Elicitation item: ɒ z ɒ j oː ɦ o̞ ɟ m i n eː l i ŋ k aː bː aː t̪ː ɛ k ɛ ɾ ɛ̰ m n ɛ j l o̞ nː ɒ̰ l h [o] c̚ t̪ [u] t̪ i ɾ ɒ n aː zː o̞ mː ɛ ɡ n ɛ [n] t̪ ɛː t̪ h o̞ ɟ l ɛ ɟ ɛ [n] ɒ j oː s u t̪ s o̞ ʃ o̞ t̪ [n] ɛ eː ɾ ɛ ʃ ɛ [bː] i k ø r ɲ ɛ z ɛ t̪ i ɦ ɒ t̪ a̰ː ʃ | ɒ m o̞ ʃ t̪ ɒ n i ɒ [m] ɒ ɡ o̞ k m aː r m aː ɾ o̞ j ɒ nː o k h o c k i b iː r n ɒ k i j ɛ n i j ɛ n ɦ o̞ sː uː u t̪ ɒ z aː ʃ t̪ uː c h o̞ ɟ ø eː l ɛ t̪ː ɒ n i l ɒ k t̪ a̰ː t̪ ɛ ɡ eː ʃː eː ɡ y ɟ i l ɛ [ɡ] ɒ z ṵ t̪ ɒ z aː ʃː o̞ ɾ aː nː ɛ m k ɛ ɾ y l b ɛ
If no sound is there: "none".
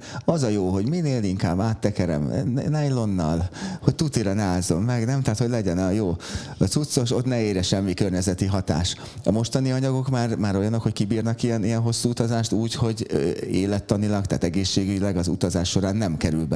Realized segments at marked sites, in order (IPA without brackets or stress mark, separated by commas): o, u, m, n, n, mː, ɲ, ɡ